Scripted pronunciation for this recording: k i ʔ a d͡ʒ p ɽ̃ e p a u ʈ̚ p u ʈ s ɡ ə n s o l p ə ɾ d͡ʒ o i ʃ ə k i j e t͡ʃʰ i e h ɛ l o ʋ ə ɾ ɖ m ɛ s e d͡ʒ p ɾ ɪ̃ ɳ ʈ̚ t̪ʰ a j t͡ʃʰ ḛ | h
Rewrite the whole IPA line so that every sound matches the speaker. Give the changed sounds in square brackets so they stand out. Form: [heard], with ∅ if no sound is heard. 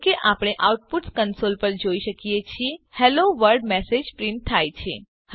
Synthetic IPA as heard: k [e] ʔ a [∅] p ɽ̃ e [ʔ] a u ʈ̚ p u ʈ s [k] ə n s o l p ə ɾ d͡ʒ o i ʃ ə k i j e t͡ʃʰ i e h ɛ l o ʋ ə ɾ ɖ m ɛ s e d͡ʒ p ɾ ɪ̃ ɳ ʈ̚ t̪ʰ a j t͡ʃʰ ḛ | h